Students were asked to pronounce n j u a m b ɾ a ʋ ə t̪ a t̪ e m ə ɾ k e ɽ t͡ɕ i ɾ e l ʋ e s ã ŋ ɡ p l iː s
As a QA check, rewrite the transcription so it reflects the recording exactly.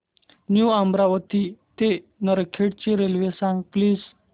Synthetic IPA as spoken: n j u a m b ɾ a ʋ ə t̪ i t̪ e n ə ɾ kʰ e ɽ t͡ɕ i ɾ e l ʋ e s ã ŋ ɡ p l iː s